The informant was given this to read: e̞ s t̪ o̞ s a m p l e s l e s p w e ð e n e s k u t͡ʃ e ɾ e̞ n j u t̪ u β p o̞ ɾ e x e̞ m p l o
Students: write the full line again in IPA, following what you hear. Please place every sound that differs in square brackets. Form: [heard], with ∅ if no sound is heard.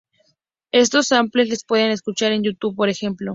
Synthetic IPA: e̞ s t̪ o̞ s a m p l e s l e s p w e ð e n e s k u t͡ʃ [a] ɾ e̞ n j u t̪ u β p o̞ ɾ e x e̞ m p l o